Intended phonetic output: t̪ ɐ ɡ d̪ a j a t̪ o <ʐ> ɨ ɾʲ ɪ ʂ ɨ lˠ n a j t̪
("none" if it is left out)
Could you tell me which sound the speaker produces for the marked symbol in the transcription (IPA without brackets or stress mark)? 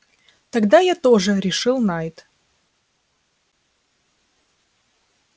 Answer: ʐ